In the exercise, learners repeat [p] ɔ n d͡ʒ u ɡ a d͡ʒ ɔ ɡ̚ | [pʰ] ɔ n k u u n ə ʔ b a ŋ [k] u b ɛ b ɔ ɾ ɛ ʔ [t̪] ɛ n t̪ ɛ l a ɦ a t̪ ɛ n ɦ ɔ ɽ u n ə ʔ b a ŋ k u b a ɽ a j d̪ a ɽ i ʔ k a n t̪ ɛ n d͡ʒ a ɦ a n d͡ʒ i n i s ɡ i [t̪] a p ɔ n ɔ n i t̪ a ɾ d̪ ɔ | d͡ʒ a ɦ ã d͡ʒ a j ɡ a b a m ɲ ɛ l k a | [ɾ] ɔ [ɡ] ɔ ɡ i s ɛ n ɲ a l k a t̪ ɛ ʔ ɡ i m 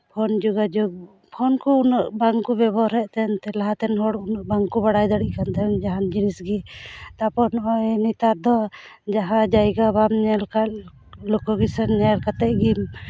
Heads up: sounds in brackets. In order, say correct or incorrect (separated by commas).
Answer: incorrect, correct, correct, correct, correct, incorrect, incorrect